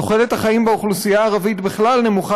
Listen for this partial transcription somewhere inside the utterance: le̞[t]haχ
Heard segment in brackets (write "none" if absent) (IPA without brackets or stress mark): t